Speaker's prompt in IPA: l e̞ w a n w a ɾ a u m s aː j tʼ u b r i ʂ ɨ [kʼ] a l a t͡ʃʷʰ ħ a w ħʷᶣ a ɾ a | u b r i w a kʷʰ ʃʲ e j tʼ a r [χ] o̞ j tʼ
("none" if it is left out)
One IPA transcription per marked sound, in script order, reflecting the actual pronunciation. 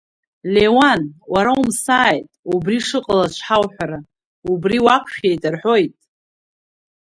qʼ, ħ

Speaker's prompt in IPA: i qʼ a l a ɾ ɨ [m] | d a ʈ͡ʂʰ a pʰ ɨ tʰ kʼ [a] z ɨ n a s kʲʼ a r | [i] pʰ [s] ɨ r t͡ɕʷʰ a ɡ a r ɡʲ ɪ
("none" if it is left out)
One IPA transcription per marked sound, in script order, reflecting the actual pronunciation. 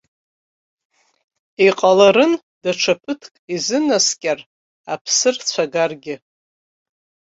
n, i, a, s

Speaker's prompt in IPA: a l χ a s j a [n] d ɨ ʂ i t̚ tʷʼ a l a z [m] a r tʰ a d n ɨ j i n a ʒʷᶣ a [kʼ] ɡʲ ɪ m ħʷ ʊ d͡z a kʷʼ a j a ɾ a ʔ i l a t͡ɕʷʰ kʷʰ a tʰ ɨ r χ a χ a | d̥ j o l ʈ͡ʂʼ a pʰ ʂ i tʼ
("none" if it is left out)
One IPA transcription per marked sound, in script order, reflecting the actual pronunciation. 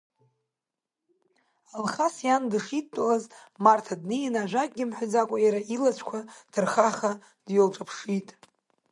n, m, kʼ

